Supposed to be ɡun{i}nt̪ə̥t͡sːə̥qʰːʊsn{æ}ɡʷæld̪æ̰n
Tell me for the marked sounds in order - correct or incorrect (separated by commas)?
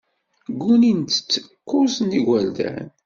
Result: correct, incorrect